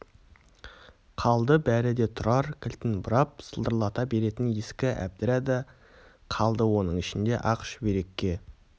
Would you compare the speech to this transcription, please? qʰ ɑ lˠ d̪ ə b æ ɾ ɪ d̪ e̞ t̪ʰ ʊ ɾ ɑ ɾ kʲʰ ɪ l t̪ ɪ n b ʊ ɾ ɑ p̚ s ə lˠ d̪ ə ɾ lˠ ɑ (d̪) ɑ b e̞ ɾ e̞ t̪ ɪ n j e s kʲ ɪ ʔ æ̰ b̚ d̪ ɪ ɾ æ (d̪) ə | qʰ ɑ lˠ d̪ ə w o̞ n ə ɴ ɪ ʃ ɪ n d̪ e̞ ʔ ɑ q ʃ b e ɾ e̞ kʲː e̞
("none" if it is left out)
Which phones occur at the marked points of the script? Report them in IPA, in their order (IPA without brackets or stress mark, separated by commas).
t̪, d̪